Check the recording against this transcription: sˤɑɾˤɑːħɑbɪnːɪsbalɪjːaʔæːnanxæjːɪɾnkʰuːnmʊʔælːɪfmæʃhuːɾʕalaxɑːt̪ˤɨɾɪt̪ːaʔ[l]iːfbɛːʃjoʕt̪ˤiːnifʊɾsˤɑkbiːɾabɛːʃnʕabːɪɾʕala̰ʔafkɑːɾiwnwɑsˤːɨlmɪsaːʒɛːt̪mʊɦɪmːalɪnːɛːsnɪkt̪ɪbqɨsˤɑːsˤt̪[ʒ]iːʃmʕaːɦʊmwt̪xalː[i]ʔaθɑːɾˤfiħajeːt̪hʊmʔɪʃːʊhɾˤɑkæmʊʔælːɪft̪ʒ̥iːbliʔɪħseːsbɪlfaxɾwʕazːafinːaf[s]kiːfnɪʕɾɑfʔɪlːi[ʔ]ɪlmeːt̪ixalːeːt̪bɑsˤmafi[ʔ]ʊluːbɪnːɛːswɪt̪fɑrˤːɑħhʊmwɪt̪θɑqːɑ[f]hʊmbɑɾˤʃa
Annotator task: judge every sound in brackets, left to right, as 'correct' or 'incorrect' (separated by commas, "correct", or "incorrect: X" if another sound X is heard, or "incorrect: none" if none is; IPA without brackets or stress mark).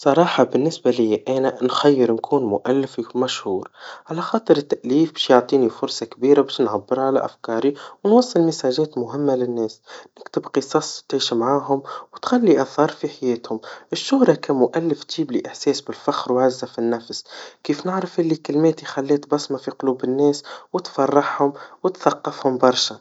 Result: correct, incorrect: ʕ, correct, correct, incorrect: k, incorrect: q, correct